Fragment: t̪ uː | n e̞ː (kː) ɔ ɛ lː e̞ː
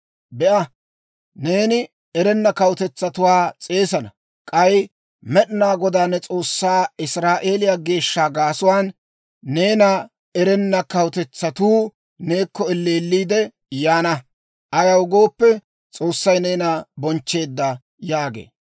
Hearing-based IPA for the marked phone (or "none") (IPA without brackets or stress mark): kː